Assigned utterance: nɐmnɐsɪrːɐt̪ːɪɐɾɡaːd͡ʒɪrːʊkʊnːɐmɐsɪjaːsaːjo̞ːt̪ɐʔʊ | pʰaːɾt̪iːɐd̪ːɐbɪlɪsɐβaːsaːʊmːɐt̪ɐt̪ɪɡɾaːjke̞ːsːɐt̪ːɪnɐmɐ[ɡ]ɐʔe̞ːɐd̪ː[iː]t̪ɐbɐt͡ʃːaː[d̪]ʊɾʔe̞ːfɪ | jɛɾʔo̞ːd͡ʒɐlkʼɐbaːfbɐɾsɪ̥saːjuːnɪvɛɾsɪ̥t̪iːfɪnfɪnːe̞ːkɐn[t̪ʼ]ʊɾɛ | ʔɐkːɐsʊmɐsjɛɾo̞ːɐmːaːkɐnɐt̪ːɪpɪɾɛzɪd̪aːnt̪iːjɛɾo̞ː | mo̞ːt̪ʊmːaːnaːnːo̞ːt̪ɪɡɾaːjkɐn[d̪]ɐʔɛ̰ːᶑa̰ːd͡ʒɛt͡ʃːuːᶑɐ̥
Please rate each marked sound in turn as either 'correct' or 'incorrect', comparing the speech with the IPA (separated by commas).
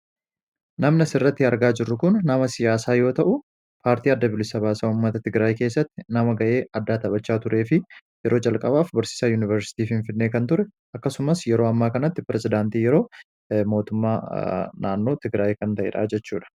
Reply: correct, incorrect, incorrect, incorrect, incorrect